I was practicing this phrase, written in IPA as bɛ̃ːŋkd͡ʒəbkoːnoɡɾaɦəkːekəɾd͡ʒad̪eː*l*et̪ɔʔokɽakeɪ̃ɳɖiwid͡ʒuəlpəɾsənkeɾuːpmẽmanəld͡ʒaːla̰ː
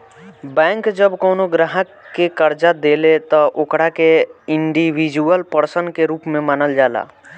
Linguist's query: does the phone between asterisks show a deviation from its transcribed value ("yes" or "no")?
no